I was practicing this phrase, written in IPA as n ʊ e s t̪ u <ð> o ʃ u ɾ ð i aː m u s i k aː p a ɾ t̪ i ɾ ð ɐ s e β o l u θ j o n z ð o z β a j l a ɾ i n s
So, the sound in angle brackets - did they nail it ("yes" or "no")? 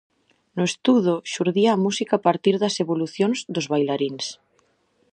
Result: yes